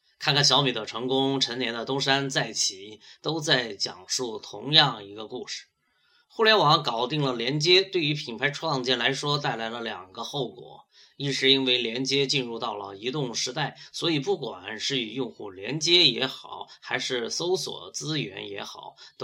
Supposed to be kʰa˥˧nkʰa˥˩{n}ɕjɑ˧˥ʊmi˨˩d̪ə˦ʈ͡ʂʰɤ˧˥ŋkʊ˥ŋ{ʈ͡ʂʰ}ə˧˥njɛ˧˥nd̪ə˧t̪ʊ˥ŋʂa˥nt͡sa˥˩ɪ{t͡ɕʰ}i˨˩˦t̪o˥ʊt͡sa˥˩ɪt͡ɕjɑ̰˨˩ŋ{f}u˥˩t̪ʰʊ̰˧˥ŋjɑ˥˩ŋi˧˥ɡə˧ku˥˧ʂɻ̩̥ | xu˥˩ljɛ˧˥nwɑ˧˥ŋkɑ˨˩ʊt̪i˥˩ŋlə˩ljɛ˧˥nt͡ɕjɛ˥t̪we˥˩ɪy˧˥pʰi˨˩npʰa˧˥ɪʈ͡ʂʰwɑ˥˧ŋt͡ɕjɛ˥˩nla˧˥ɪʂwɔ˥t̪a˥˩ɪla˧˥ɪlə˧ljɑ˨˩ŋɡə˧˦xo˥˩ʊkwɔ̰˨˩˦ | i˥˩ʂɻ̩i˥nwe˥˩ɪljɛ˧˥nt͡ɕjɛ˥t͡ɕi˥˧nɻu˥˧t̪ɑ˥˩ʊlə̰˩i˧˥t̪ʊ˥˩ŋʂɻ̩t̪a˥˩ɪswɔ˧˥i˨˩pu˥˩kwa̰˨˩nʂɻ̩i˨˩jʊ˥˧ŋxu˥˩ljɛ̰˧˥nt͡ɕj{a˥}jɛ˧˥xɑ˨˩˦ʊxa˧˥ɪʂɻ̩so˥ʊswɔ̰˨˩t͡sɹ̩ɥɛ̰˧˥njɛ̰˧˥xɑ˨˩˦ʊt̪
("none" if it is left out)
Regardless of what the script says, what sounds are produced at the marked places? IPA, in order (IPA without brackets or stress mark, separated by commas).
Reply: n, ʈ͡ʂʰ, t͡ɕʰ, ʂ, ɛ˥